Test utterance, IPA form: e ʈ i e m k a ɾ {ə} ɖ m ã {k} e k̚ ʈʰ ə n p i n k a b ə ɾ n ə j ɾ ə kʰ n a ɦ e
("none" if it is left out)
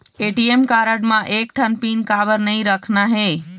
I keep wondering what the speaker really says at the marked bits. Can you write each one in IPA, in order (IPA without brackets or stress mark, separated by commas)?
ə, ʔ